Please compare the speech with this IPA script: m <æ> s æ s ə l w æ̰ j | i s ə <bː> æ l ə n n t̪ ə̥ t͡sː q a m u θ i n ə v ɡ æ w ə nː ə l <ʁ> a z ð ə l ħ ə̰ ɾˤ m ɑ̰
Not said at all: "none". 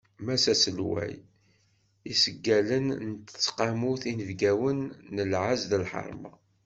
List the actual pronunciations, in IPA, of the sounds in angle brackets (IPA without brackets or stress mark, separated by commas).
æ, ɡː, ʕ